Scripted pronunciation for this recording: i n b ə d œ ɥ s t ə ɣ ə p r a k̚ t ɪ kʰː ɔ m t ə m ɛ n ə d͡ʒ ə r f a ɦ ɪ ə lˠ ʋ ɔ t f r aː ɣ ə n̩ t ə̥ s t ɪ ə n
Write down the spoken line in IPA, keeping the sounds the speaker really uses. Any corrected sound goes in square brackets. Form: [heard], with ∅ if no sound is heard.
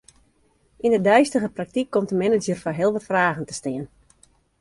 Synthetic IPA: i n [d] ə d œ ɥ s t ə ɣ ə p r a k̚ t [i] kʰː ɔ m t ə m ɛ n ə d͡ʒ ə r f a ɦ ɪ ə lˠ ʋ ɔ t f r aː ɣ ə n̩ t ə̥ s t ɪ ə n